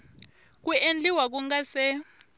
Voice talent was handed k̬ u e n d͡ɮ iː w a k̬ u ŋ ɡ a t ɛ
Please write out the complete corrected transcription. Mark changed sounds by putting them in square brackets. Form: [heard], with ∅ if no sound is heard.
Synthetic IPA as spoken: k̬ u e n d͡ɮ [i] w a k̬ u ŋ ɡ a [s] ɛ